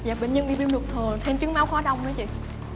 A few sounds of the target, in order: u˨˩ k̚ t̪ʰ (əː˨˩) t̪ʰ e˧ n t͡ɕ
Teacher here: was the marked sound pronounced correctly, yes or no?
yes